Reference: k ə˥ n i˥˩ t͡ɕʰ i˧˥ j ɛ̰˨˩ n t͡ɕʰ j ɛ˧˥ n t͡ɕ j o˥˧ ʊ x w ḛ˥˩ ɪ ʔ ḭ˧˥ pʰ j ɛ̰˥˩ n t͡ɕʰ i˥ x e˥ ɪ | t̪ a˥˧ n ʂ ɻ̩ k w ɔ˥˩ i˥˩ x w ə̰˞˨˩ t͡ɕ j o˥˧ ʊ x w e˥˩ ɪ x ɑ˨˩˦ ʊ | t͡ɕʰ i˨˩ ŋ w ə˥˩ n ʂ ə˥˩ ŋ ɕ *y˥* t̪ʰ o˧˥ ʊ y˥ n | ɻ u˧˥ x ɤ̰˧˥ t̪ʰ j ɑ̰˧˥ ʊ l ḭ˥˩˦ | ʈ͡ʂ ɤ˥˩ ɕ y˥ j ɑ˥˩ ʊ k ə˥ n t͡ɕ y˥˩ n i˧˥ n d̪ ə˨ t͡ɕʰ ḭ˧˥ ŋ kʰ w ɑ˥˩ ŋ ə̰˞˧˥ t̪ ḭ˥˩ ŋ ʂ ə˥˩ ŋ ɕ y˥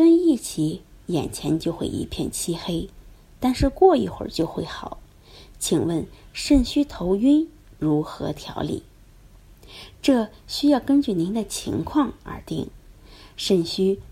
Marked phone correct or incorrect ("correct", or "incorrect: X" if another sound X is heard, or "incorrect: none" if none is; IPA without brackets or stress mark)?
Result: correct